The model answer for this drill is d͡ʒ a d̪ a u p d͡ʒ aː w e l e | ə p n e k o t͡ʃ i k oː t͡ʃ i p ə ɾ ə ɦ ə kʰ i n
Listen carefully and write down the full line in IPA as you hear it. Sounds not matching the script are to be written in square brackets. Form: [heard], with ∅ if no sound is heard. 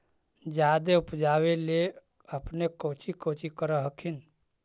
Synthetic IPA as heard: d͡ʒ a d̪ [e] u p d͡ʒ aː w e l e | ə p n e k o t͡ʃ i k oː t͡ʃ i [k] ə ɾ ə ɦ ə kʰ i n